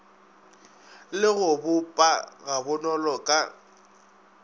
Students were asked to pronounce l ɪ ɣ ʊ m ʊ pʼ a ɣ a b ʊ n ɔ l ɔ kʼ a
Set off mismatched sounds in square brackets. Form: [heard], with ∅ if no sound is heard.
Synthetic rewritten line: l ɪ ɣ ʊ [b] ʊ pʼ a ɣ a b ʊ n ɔ l ɔ kʼ a